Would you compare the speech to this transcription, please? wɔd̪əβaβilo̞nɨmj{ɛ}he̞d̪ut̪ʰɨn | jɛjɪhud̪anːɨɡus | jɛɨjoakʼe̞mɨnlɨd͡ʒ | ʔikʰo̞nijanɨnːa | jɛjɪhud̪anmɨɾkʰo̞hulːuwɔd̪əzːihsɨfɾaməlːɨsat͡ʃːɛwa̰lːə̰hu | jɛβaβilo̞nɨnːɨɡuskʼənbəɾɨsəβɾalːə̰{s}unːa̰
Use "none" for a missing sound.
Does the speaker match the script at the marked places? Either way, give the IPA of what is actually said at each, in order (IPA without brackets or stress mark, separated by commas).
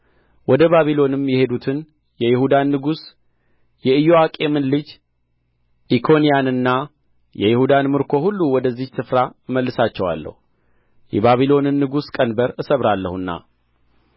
ɛ, h